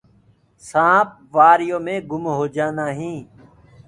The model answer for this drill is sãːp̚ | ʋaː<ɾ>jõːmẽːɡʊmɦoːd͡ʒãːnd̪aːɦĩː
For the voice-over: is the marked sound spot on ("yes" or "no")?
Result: yes